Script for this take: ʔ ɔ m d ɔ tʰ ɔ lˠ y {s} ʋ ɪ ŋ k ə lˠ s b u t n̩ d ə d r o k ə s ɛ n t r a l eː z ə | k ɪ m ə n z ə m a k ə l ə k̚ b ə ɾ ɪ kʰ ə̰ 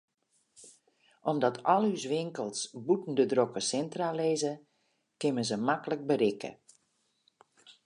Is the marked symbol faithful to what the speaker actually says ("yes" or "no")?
yes